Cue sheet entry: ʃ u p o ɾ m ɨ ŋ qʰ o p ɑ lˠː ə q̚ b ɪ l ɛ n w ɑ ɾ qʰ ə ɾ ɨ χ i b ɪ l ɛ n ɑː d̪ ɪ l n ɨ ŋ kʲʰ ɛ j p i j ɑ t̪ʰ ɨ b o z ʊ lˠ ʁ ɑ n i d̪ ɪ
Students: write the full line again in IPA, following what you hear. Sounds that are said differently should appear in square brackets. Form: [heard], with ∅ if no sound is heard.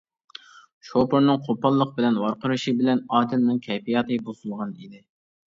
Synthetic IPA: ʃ [o] p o ɾ [n] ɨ ŋ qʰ o p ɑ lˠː ə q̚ b ɪ l ɛ n w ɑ ɾ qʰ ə ɾ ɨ [ʃ] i b ɪ l ɛ n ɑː d̪ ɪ l n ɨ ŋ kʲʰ ɛ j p i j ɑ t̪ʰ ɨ b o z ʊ lˠ ʁ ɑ n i d̪ ɪ